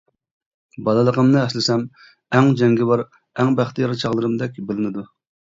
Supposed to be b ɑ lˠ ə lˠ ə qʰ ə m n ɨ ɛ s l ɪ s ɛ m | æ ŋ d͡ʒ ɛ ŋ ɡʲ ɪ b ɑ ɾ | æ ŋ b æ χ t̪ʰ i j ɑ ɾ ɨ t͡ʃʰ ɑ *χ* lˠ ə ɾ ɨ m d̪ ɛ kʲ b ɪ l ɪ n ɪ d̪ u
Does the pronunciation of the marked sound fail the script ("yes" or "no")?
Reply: yes